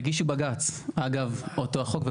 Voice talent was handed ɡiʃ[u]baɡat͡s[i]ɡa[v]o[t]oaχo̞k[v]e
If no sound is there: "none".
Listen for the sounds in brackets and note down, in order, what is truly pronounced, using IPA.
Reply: u, a, v, t, v

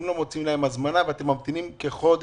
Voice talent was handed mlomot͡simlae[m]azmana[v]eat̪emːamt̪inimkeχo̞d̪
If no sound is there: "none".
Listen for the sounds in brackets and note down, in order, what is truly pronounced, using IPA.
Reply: m, v

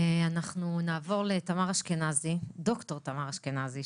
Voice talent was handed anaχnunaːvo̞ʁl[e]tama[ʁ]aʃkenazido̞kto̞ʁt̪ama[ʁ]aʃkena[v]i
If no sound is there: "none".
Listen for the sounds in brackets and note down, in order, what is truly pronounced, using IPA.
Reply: e, ʁ, ʁ, z

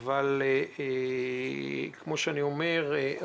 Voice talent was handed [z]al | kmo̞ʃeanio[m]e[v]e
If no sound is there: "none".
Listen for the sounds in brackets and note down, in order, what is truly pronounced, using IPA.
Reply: v, m, ʁ

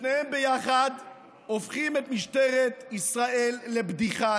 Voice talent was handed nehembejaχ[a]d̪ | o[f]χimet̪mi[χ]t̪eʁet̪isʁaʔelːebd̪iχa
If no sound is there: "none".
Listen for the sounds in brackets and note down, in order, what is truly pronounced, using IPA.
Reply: a, f, ʃ

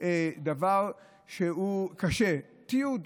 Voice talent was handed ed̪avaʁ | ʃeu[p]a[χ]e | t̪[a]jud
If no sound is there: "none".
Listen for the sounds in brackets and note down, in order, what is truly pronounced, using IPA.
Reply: k, ʃ, i

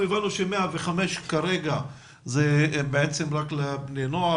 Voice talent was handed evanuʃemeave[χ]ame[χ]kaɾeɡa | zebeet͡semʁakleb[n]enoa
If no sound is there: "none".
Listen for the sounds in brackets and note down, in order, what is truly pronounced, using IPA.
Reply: χ, ʃ, n

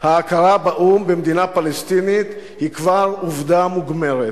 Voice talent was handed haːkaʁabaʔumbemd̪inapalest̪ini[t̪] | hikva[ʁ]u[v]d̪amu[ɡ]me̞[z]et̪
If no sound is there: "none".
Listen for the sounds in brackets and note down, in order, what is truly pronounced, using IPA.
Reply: t̪, ʁ, v, ɡ, ʁ

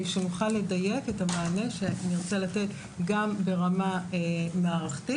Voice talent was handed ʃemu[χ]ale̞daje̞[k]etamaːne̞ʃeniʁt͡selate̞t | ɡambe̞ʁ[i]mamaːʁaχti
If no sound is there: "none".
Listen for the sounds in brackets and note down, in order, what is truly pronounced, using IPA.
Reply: χ, k, a

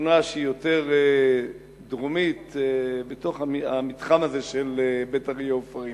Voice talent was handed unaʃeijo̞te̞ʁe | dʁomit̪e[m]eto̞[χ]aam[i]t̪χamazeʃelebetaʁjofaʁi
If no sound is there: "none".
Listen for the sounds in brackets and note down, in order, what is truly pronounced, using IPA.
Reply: b, χ, i

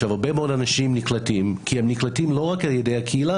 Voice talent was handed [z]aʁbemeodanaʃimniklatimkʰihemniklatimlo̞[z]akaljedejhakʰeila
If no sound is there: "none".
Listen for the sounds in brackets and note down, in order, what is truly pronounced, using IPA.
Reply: v, ʁ

